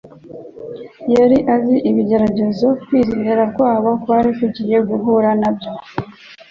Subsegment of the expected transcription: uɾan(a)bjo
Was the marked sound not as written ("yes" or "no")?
no